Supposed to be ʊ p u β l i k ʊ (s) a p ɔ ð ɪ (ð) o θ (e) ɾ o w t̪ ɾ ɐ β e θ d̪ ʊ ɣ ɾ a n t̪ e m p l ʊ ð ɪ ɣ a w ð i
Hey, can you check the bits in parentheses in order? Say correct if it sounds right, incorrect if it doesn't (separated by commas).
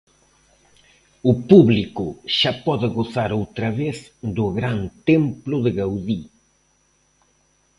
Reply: incorrect, incorrect, incorrect